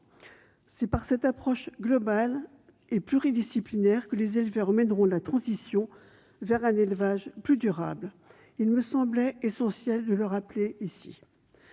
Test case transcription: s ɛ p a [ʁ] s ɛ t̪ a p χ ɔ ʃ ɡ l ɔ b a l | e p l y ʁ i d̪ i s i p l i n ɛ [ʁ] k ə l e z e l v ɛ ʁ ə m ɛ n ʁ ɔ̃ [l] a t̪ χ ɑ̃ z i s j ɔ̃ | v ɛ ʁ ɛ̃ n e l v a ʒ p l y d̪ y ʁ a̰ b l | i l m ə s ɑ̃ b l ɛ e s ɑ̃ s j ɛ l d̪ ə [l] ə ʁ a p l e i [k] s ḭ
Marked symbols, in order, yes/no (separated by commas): yes, yes, yes, yes, no